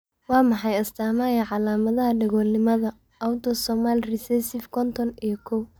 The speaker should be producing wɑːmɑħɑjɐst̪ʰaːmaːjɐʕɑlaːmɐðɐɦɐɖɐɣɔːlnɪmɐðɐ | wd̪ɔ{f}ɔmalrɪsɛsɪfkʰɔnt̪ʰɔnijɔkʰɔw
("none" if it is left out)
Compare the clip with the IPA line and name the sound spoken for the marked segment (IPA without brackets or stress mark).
s